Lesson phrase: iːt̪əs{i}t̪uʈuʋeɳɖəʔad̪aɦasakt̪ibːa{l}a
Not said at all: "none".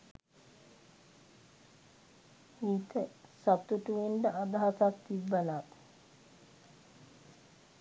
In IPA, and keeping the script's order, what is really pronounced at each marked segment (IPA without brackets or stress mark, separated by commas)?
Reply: a, l